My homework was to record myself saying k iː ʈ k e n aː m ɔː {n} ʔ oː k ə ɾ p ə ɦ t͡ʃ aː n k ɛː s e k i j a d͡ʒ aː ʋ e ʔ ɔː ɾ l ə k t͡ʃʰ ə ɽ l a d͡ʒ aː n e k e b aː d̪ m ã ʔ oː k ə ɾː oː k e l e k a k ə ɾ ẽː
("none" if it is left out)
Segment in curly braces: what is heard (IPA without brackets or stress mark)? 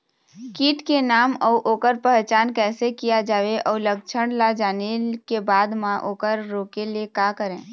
none